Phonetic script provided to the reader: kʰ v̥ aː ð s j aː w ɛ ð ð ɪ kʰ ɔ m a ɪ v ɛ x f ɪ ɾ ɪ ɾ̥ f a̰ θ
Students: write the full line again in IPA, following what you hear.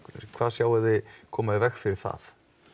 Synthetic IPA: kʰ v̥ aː ð s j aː w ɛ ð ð ɪ kʰ ɔː m a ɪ v ɛ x f ɪ ɾ ɪ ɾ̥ θ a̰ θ